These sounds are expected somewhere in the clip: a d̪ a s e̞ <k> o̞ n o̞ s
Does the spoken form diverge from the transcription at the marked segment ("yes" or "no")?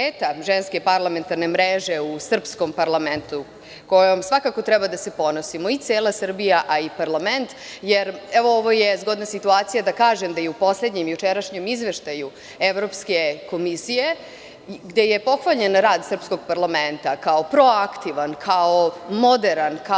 yes